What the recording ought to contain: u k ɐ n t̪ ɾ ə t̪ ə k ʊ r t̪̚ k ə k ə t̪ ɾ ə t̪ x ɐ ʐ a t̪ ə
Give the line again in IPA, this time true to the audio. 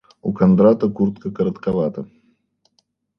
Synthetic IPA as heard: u k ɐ n d̪ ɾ a t̪ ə k u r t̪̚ k ə k ə ɾ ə t̪ k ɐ v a t̪ ə